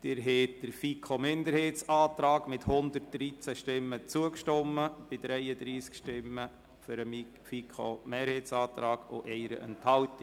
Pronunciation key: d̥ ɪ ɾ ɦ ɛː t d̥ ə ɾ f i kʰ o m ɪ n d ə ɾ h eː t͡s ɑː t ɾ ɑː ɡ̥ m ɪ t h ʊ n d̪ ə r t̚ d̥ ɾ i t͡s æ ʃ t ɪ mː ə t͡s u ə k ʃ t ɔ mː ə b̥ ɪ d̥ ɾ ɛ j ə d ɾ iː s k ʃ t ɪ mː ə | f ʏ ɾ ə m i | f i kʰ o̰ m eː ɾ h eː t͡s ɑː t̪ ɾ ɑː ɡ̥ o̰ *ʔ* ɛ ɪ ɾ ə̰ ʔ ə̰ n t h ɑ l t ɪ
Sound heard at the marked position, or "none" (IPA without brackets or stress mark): ʔ